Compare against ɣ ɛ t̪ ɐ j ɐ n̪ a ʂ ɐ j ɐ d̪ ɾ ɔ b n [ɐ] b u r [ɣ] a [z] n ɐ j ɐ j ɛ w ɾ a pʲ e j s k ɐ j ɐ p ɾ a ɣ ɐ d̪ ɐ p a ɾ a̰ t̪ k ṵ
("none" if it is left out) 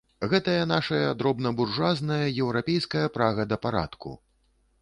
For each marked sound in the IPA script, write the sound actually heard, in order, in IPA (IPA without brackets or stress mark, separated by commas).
ɐ, ʐ, z